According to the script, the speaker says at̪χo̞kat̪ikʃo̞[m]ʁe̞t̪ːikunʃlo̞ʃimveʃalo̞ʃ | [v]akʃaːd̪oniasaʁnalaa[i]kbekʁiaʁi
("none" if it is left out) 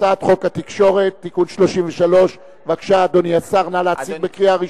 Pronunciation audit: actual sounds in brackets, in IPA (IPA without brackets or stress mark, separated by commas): none, v, i